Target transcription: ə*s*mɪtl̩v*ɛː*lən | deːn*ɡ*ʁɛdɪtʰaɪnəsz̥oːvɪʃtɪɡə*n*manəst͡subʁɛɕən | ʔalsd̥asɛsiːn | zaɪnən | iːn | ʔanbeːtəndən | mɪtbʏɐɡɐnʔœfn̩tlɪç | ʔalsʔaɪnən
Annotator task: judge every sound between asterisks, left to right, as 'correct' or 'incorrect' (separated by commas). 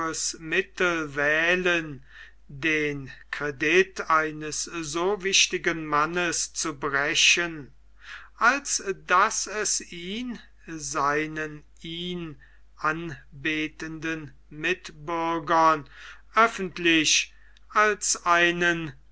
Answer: correct, correct, incorrect, correct